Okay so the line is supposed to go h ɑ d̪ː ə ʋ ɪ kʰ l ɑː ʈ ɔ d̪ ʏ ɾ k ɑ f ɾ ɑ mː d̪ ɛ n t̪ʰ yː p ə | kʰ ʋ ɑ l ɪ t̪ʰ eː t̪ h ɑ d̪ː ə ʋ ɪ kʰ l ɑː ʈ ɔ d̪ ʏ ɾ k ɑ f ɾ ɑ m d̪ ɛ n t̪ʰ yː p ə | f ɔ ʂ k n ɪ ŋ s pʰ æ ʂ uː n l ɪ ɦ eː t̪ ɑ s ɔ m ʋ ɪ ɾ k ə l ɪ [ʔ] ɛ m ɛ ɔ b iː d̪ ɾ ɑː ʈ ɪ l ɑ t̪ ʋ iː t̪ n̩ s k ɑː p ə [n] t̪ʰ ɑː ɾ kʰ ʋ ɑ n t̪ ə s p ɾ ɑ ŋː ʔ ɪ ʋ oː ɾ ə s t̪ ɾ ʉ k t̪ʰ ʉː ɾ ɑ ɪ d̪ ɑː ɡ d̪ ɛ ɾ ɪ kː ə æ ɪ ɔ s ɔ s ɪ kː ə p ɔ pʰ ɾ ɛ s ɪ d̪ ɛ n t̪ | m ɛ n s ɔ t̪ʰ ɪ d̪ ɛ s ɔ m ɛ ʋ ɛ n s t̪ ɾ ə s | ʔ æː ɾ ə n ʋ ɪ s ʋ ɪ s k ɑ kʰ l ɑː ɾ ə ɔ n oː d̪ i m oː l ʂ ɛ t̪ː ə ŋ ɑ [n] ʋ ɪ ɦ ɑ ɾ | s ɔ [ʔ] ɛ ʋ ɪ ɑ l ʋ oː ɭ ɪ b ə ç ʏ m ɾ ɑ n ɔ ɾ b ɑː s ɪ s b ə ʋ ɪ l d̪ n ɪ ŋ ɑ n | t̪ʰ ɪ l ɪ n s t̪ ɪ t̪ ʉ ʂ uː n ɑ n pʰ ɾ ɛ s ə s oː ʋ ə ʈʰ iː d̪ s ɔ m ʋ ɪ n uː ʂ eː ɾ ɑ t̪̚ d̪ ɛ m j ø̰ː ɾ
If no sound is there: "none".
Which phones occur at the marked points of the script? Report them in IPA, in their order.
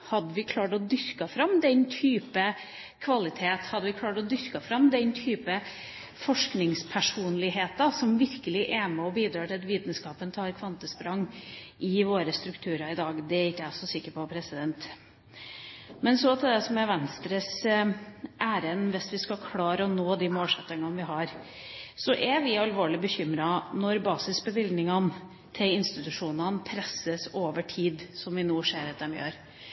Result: ʔ, n, n, ʔ

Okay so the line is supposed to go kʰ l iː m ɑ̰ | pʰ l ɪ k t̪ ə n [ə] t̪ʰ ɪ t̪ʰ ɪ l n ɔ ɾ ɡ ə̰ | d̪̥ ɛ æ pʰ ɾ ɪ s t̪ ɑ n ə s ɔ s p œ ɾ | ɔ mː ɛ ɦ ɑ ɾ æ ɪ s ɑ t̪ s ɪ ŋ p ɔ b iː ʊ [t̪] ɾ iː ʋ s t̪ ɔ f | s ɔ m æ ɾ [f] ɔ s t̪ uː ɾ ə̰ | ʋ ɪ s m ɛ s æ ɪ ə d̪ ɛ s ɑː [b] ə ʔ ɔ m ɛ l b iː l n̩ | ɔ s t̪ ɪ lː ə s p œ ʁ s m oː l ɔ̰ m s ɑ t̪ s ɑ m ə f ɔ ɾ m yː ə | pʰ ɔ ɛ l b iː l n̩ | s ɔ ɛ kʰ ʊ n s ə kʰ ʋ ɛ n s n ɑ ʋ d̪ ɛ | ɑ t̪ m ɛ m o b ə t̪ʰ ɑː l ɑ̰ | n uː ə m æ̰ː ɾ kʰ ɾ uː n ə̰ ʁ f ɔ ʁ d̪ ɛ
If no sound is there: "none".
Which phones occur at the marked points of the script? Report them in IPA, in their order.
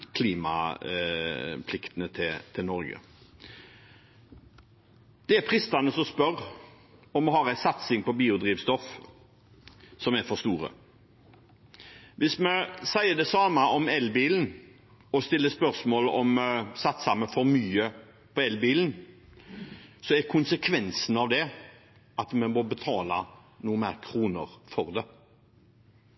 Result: ə, d̪, f, m

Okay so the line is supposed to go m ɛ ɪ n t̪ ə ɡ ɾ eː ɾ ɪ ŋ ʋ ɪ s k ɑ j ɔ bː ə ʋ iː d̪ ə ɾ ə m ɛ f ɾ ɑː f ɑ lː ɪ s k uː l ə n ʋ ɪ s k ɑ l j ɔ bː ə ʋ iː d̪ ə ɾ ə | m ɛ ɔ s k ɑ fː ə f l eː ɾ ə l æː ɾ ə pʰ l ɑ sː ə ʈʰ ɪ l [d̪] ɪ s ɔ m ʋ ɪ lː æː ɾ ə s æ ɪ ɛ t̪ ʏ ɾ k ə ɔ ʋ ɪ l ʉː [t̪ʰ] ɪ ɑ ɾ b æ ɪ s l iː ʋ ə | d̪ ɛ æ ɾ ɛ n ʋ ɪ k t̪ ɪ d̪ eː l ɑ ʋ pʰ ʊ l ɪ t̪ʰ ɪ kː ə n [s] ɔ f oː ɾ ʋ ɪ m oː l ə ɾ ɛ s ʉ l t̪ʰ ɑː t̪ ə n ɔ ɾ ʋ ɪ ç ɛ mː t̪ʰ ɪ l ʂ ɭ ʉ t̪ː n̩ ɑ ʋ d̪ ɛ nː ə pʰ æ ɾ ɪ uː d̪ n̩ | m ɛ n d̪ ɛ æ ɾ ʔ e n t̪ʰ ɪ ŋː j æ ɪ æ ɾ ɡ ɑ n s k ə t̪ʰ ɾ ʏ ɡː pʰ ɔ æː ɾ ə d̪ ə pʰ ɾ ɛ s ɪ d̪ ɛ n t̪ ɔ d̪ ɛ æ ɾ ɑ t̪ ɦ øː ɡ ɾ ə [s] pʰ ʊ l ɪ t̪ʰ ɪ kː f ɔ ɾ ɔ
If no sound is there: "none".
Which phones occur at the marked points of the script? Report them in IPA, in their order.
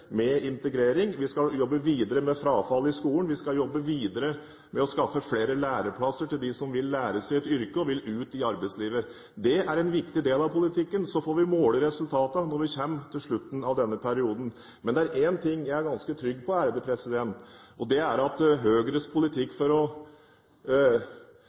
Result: d̪, t̪, s, s

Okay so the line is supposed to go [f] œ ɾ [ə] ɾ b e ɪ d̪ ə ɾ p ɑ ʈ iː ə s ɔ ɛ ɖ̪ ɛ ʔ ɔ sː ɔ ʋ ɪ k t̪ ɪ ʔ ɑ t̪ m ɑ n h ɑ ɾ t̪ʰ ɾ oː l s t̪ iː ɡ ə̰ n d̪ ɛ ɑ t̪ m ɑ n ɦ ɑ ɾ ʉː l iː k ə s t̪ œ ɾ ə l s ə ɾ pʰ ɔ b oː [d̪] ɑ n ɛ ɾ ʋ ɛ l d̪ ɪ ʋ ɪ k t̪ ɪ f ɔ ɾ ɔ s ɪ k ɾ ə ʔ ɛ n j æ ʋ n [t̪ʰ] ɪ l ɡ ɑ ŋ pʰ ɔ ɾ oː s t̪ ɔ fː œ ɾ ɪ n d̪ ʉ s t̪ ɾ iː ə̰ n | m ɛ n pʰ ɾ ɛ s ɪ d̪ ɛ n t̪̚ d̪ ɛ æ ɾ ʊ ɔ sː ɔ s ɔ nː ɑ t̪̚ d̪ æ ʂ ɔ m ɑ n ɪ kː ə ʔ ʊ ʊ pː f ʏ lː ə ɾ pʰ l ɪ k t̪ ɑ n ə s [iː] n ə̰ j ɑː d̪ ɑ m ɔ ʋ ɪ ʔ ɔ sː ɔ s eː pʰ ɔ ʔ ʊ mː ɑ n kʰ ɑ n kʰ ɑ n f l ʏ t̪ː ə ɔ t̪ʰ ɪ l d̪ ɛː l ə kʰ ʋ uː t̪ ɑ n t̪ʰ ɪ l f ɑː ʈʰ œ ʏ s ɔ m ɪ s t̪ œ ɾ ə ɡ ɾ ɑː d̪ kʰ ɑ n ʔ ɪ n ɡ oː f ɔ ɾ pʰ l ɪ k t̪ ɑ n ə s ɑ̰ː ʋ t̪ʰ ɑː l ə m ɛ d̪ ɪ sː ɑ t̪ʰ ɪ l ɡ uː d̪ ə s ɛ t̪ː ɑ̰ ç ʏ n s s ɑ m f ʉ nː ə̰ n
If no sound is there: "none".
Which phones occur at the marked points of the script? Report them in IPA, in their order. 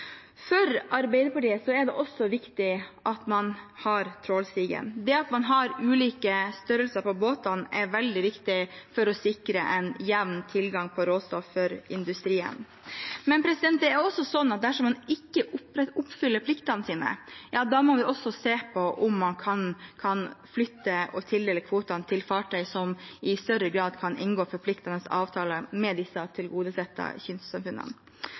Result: f, ɑ, t̪, t̪ʰ, iː

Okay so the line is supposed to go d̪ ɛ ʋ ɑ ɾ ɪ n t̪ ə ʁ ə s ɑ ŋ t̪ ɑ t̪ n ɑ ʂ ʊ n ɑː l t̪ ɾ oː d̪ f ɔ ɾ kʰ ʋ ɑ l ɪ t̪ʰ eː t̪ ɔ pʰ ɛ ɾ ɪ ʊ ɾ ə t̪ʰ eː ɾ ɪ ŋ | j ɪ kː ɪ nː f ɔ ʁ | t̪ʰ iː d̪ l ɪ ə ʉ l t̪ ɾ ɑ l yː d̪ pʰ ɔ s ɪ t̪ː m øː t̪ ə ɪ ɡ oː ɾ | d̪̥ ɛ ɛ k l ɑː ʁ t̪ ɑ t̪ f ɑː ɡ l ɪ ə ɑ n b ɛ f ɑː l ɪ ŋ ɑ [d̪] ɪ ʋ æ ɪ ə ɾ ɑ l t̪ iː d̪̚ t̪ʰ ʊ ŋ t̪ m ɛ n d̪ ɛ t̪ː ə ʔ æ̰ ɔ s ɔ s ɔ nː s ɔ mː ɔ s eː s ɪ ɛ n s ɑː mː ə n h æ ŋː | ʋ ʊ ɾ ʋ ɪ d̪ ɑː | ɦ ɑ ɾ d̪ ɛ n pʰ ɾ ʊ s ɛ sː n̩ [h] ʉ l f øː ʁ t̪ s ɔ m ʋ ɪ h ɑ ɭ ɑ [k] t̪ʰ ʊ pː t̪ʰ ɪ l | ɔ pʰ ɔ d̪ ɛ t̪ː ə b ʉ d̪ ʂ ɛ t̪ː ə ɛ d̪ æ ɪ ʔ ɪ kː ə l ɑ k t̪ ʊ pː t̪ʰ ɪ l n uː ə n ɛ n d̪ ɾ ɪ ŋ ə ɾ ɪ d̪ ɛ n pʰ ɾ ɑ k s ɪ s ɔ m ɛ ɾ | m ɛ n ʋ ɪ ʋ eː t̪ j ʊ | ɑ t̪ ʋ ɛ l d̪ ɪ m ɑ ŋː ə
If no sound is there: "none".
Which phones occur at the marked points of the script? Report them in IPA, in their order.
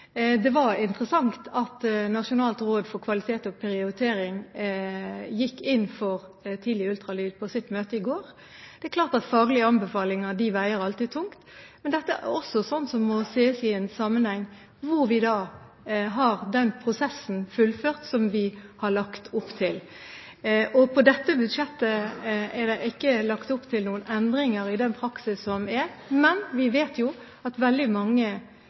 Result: d̪, f, k

